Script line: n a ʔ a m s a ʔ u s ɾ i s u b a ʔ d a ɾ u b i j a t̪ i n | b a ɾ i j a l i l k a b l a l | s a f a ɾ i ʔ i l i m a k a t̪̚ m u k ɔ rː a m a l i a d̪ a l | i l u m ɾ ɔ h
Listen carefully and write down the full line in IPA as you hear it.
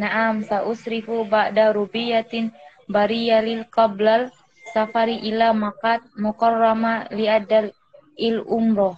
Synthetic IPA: n a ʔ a m s a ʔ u s ɾ i f u b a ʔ d a ɾ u b i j a t̪ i n | b a ɾ i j a l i l k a b l a l | s a f a ɾ i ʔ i l a m a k a t̪̚ m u k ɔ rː a m a l i a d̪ a l | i l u m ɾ ɔ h